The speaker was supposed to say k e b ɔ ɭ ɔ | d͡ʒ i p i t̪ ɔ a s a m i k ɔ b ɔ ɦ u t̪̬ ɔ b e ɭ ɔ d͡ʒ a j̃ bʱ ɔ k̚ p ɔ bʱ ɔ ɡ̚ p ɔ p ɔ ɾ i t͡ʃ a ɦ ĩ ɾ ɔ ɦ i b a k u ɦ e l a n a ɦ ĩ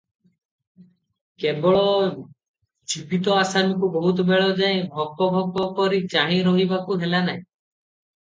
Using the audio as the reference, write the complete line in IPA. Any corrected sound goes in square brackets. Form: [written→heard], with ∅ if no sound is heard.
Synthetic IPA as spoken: k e b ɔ ɭ ɔ | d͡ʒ i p i t̪ ɔ a s a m i k [ɔ→u] b ɔ ɦ u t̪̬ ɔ b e ɭ ɔ d͡ʒ a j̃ bʱ ɔ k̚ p ɔ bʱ ɔ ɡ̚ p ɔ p ɔ ɾ i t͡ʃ a ɦ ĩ ɾ ɔ ɦ i b a k u ɦ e l a n a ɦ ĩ